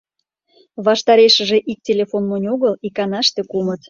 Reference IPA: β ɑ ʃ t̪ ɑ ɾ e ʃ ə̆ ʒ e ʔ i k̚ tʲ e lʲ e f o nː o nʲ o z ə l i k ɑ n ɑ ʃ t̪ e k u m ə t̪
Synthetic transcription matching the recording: β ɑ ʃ t̪ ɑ ɾ e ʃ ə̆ ʒ e ʔ i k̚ tʲ e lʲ e f o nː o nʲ o ɣ ə l i k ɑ n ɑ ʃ t̪ e k u m ə t̪